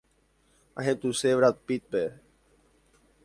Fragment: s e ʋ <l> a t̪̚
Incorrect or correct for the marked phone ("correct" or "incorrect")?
incorrect